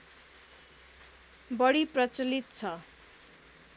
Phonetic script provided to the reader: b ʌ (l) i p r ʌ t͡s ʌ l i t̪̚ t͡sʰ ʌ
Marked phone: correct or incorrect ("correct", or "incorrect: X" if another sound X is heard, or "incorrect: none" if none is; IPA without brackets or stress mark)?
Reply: incorrect: ɽ